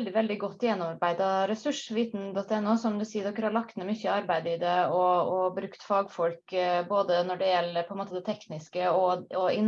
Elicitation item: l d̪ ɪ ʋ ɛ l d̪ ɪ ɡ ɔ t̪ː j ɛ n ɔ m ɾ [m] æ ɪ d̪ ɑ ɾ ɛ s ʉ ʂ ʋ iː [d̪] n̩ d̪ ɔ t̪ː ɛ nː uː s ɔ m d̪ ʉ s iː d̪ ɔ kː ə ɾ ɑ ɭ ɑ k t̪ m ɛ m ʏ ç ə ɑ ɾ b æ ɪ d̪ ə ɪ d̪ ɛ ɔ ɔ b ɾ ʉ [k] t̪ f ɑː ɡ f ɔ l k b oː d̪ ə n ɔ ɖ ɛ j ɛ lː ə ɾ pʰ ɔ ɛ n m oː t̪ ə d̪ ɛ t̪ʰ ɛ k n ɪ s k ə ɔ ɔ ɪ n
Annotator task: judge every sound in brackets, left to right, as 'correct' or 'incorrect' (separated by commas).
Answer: incorrect, incorrect, correct